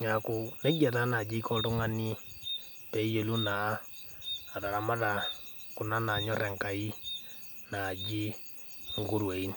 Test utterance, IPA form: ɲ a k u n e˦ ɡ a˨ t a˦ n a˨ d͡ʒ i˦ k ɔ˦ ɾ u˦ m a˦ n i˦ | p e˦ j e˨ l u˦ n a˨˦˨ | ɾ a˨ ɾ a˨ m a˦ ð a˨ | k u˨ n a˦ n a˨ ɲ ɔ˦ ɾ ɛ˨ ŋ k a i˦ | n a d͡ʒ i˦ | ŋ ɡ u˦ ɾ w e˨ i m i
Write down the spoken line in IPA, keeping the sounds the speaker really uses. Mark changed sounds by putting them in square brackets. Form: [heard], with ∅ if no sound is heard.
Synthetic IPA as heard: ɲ a k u n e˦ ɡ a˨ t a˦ n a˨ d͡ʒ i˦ k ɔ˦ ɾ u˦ [ŋ] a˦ n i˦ | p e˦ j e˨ l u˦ n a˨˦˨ | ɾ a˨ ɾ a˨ m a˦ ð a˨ | k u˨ n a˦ n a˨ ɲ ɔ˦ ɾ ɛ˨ ŋ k a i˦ | n a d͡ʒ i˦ | ŋ ɡ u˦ ɾ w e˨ i [n] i